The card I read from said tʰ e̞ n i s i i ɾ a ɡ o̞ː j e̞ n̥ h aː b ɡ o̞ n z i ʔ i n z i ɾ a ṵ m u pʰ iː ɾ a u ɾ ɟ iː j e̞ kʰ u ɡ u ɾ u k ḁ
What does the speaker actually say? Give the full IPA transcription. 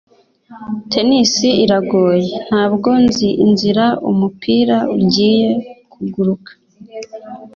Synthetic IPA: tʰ e̞ n i s i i ɾ a ɡ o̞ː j e̞ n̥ h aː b ɡ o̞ n z i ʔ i n z i ɾ a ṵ m u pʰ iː ɾ a u ɾ ɟ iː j e̞ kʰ u ɡ u ɾ u k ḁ